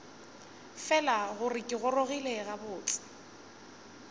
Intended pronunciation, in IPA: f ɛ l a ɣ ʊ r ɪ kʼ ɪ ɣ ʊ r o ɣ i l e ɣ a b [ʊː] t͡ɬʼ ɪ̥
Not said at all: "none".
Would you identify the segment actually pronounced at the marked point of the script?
ʊː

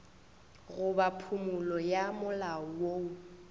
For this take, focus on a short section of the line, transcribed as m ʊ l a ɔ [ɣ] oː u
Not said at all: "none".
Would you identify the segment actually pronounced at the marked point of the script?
w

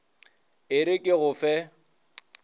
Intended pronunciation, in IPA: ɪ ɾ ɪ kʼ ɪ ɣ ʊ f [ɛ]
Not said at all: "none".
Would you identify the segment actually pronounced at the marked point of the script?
ɛ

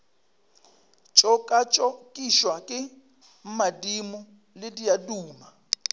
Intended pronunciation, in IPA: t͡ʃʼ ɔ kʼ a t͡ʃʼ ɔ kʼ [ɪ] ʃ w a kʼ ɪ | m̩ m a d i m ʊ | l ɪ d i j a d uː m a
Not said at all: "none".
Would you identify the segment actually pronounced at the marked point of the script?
i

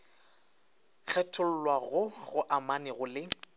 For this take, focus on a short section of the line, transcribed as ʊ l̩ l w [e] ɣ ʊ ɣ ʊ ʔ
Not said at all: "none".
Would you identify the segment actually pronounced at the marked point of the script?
a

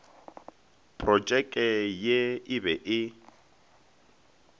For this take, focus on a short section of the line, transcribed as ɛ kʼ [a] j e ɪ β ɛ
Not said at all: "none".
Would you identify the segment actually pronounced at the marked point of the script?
ɛ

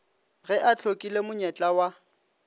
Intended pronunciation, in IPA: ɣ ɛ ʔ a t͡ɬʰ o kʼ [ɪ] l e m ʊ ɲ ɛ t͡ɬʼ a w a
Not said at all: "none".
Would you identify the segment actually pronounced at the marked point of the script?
i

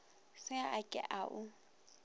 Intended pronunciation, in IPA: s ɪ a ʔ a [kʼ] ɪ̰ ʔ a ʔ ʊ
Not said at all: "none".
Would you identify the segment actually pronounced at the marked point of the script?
kʼ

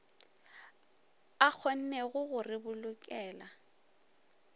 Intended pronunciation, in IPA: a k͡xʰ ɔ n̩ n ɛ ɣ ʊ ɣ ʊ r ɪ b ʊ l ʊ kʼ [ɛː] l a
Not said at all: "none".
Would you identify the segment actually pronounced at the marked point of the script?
ɛː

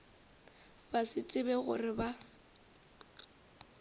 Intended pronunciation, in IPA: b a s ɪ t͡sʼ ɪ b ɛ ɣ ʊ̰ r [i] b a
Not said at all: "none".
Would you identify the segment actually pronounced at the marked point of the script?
ɪ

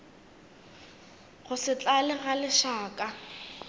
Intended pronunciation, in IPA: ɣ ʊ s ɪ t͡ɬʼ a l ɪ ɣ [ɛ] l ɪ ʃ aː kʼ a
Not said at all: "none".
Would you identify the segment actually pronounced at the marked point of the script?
a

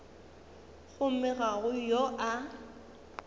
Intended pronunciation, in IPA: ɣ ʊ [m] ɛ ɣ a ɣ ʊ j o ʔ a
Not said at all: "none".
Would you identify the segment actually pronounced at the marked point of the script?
m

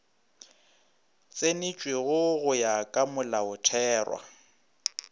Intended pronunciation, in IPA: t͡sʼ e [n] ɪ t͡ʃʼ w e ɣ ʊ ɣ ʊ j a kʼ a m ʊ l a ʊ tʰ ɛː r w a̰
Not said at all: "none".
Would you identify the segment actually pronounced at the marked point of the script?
n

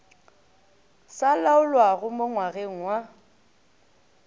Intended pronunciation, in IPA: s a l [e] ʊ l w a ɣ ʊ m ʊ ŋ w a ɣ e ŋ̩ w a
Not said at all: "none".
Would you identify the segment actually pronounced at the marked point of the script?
a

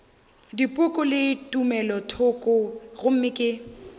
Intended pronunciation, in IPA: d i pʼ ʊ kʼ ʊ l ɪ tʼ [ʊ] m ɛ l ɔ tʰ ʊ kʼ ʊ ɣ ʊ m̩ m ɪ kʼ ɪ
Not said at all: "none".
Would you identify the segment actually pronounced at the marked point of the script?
u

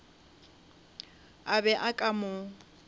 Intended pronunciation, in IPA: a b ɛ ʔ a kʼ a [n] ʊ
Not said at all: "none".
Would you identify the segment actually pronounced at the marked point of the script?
m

